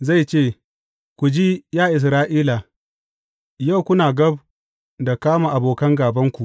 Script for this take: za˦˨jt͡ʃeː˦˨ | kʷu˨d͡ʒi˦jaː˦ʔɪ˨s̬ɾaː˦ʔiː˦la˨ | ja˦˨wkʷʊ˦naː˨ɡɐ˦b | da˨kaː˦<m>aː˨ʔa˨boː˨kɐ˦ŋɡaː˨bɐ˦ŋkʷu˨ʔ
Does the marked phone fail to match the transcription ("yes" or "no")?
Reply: no